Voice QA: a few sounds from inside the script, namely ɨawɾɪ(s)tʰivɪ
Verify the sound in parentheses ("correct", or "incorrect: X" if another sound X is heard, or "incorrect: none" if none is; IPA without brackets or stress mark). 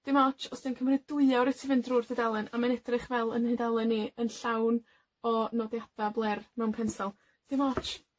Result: incorrect: none